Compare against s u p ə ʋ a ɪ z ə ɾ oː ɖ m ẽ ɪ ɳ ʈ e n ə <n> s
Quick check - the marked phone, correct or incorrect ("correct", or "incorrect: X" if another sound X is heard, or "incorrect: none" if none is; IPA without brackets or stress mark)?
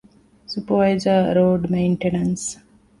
correct